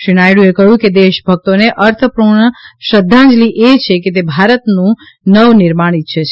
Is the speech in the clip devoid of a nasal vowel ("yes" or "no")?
no